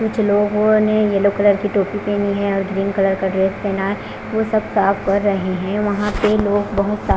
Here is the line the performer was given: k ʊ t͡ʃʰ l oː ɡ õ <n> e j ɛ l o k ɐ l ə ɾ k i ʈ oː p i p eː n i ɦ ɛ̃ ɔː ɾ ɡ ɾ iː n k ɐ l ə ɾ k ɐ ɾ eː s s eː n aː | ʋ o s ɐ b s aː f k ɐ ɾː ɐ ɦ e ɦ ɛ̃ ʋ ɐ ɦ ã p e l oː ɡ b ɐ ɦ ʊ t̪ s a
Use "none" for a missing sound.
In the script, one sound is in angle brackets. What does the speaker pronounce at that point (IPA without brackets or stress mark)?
n